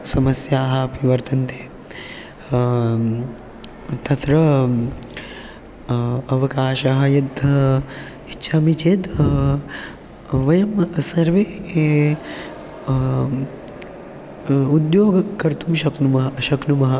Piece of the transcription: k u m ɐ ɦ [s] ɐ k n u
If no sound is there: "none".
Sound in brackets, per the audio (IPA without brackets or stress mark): ʃ